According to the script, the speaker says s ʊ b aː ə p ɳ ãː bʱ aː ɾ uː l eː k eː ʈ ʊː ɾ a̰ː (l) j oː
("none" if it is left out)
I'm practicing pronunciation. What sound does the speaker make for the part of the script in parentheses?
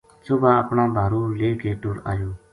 none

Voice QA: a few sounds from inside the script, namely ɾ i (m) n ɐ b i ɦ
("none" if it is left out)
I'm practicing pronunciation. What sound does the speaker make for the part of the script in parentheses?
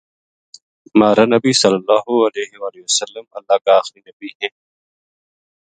none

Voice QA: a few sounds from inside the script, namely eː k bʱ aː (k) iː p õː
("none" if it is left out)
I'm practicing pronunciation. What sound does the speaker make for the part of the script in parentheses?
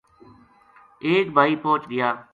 none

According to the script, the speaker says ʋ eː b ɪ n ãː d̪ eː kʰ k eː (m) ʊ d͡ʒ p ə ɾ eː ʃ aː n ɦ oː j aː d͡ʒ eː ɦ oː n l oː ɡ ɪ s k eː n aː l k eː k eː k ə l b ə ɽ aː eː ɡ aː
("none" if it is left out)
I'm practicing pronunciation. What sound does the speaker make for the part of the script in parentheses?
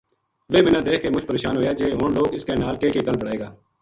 m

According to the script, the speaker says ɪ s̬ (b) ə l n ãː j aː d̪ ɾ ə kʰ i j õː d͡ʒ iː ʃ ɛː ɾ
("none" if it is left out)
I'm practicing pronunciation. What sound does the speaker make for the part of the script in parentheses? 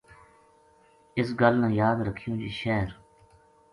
ɡ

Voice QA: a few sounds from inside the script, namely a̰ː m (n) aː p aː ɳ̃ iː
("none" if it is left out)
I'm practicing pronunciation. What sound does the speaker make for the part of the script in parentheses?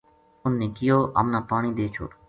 n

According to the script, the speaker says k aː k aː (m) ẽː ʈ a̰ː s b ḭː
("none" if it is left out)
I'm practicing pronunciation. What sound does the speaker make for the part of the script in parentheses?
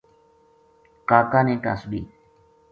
n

